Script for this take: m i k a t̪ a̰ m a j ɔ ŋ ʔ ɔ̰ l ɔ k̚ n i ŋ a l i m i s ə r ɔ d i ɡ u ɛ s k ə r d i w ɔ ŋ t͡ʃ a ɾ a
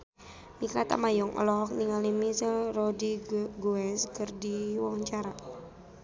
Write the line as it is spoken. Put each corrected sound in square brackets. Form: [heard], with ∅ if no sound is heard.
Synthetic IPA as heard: m i k a t̪ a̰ m a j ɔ ŋ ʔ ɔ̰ l ɔ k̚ n i ŋ a l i m i s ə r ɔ d i ɡ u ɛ s k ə r d i w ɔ ŋ t͡ʃ a ɾ a